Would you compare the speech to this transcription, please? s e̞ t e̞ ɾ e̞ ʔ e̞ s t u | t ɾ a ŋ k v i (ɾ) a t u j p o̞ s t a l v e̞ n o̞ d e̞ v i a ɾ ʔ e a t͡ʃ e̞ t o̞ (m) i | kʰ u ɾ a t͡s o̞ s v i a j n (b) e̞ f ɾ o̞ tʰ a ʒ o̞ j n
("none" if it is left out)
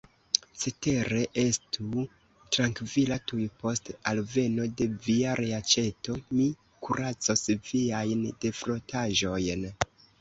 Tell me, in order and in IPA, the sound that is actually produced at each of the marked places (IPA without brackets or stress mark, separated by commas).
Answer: l, m, d